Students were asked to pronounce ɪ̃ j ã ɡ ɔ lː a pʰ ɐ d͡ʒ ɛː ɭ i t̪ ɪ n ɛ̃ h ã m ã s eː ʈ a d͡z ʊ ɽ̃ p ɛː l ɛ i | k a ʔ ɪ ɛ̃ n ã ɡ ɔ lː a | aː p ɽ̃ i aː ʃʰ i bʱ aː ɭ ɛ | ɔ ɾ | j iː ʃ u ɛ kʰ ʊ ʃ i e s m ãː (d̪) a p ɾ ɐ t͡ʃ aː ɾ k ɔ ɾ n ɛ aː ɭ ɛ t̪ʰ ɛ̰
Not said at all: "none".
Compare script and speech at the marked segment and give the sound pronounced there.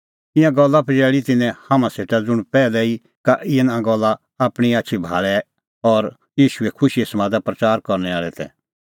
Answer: d̪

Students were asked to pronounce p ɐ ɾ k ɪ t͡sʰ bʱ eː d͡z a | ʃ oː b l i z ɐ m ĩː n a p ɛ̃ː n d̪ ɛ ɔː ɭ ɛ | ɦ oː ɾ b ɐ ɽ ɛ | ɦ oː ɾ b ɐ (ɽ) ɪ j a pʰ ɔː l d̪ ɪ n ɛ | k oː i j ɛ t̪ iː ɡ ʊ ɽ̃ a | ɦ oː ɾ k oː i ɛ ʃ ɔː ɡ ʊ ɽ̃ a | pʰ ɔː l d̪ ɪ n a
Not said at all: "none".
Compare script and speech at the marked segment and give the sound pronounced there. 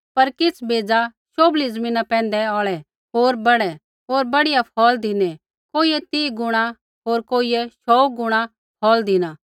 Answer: ɽ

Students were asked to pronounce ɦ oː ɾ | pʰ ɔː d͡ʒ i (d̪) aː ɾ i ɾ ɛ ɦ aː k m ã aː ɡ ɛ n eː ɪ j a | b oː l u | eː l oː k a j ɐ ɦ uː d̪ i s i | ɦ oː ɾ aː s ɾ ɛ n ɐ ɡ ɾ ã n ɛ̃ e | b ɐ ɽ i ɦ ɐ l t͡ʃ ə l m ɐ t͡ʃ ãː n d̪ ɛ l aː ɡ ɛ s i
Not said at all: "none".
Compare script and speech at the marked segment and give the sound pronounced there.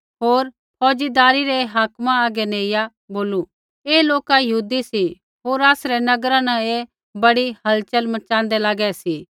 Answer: d̪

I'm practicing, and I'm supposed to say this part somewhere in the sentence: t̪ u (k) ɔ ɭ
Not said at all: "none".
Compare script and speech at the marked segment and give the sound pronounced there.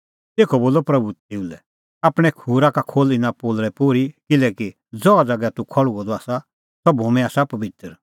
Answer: kʰ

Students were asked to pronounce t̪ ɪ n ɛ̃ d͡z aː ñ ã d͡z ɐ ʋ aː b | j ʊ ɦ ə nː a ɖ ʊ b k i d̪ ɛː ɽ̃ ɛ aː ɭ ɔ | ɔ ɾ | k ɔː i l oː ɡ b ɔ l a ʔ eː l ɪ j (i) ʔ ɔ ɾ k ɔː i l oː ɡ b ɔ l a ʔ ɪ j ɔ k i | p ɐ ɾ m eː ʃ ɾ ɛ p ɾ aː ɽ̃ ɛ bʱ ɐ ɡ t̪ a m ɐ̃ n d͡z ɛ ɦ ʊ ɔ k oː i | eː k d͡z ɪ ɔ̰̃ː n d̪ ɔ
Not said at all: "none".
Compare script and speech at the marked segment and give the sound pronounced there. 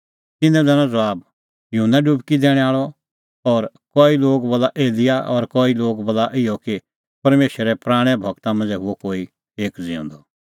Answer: a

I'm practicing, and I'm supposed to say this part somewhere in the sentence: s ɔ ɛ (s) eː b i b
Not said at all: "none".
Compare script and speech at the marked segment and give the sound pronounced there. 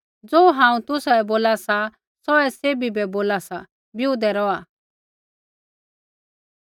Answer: s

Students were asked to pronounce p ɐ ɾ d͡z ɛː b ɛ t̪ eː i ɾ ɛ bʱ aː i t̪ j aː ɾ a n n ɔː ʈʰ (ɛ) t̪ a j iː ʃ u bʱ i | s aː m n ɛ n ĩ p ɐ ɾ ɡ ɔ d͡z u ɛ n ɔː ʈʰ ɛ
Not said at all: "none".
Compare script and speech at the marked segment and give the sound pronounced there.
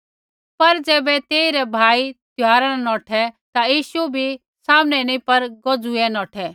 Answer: ɛ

